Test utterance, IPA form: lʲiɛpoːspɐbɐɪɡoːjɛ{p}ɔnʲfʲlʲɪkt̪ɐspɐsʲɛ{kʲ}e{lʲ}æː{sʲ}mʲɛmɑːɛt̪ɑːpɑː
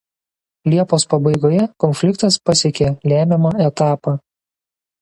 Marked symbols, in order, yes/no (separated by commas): no, yes, yes, no